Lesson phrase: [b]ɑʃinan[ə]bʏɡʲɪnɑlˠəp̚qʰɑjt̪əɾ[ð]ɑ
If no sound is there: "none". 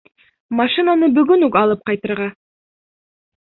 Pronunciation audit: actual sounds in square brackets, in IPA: m, ə, ʁ

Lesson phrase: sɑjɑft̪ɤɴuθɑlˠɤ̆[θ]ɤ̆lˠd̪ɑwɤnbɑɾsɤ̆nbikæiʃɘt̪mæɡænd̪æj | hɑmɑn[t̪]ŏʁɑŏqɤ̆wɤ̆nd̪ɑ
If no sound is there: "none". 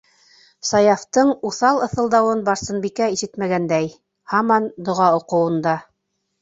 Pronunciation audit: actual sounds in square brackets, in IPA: θ, d̪

